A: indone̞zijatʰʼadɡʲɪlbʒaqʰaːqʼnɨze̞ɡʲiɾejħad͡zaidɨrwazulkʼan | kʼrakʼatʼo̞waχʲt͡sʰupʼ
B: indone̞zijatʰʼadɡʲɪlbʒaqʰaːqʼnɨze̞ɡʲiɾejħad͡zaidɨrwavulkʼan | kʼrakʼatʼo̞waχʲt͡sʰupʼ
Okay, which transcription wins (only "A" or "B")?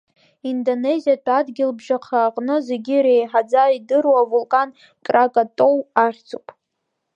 B